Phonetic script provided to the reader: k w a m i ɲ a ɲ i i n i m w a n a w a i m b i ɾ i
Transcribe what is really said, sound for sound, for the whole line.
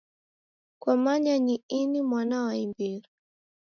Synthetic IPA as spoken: k w a m a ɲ a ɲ i i n i m w a n a w a i m b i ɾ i